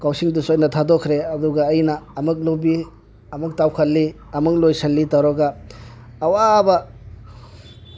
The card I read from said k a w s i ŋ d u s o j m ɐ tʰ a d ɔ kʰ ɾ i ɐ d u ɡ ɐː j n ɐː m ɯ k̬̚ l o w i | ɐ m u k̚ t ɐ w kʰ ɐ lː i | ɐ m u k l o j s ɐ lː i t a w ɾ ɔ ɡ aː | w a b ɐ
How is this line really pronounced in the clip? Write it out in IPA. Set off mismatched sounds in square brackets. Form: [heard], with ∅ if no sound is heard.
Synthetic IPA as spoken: k a w s i ŋ d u s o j [n] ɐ tʰ a d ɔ kʰ ɾ [e] ɐ d u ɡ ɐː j n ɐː m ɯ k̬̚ l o [b] i | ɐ m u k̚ t [a] w kʰ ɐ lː i | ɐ m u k l o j s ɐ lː i t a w ɾ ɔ ɡ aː | w a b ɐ

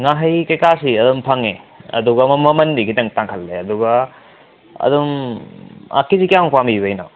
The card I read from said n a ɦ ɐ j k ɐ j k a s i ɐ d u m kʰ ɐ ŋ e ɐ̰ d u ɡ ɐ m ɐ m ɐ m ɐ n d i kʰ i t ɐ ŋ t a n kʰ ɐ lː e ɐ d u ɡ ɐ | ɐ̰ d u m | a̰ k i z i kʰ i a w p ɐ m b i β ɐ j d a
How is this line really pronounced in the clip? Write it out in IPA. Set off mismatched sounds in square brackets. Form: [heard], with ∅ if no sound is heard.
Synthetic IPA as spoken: [ŋ] a ɦ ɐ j k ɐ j k a s i ɐ d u m [pʰ] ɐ ŋ e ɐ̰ d u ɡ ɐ m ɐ m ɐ m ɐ n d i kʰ i t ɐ ŋ t a [ŋ] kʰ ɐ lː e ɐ d u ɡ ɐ | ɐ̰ d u m | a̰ k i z i [k] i a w p [a] m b i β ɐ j [n] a

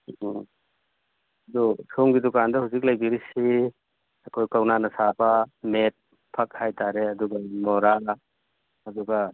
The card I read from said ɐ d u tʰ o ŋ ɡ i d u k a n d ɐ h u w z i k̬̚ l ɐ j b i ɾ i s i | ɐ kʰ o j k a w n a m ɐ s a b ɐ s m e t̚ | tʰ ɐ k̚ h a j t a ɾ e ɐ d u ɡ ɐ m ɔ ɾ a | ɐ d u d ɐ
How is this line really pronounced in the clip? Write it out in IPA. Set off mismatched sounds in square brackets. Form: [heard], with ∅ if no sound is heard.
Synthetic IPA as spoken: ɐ d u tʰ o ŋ ɡ i d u k a n d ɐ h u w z i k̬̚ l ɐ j b i ɾ i s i | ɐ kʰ o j k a w n a [n] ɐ s a b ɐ [∅] m e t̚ | [pʰ] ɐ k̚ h a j t a ɾ e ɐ d u ɡ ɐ m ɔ ɾ a | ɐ d u [ɡ] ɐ

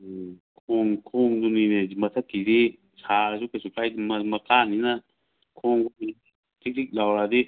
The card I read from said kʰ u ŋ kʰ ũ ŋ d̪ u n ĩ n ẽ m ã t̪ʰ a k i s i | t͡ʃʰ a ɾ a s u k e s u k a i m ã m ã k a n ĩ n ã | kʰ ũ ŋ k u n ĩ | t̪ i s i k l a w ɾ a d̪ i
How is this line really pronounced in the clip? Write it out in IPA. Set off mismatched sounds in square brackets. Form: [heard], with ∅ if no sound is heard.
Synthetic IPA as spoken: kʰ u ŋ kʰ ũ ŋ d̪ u n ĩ n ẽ m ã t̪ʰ a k i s i | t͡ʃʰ a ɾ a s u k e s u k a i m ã m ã k a n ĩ n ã | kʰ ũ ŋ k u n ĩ | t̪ i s i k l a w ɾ a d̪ i

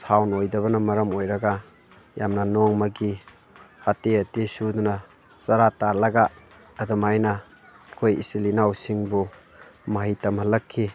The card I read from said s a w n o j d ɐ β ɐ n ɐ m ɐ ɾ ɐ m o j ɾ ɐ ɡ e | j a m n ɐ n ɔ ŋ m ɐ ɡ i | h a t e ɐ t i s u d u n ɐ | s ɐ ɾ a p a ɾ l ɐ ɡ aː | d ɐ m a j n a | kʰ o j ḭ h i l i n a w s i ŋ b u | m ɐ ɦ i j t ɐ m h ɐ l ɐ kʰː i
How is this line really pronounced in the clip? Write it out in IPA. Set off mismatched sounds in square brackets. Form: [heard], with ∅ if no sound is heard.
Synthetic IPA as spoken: s a w n o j d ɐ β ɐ n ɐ m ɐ ɾ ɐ m o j ɾ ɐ ɡ [a] | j a m n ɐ n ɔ ŋ m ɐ ɡ i | h a t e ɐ t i s u d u n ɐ | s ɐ ɾ a [t] a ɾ l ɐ ɡ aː | d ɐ m a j n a | kʰ o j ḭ [s] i l i n a w s i ŋ b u | m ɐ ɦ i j t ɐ m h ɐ l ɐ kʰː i

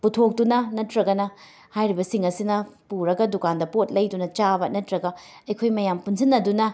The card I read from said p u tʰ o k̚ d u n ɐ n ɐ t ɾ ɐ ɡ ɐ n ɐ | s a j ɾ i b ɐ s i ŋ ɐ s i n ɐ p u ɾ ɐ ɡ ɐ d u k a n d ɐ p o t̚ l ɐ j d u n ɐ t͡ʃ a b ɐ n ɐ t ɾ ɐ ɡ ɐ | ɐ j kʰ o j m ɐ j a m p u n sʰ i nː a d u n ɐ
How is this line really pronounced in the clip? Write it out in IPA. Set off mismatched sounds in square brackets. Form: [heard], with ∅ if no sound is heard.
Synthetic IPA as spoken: p u tʰ o k̚ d u n ɐ n ɐ t ɾ ɐ ɡ ɐ n ɐ | [h] a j ɾ i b ɐ s i ŋ ɐ s i n ɐ p u ɾ ɐ ɡ ɐ d u k a n d ɐ p o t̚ l ɐ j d u n ɐ t͡ʃ a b ɐ n ɐ t ɾ ɐ ɡ ɐ | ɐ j kʰ o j m ɐ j a m p u n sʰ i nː [ɐ] d u n ɐ

